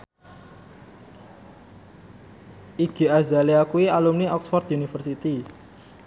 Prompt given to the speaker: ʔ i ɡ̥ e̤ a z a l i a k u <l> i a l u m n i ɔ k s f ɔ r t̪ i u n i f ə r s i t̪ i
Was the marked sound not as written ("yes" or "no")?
yes